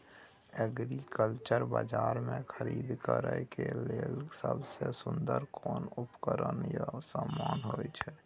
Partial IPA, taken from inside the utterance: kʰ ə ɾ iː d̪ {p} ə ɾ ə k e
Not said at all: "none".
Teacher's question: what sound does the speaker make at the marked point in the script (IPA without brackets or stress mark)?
k